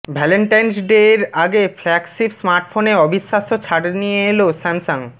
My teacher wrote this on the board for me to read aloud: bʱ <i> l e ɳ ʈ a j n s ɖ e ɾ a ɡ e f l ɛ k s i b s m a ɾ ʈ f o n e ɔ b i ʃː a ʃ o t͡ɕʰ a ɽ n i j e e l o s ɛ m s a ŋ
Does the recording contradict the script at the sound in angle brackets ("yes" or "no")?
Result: yes